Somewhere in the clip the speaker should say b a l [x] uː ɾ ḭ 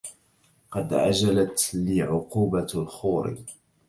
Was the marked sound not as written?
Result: no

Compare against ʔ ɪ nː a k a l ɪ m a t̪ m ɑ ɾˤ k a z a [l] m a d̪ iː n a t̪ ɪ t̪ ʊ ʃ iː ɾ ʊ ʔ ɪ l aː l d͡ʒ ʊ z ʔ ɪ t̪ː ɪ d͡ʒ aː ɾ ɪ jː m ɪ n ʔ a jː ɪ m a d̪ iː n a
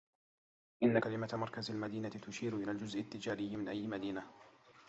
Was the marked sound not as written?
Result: no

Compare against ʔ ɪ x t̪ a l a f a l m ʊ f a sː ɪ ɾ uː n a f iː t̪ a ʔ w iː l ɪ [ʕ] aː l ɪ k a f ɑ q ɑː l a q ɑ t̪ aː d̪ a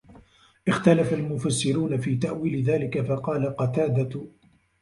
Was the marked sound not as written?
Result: yes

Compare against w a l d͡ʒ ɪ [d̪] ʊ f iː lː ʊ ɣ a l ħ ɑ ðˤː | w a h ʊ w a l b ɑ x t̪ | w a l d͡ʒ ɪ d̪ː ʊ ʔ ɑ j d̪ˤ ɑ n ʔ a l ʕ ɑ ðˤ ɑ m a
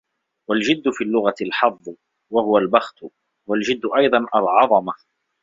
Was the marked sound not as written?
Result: yes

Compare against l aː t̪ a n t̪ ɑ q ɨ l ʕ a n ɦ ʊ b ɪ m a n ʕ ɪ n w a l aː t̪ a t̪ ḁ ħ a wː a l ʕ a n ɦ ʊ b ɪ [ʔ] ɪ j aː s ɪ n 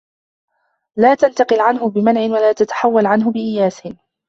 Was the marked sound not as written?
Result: no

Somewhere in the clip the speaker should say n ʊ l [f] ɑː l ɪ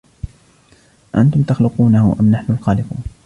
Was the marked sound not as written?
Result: yes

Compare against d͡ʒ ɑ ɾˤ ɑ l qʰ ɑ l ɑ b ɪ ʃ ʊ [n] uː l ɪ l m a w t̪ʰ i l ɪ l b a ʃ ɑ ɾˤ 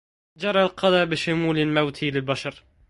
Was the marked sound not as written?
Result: yes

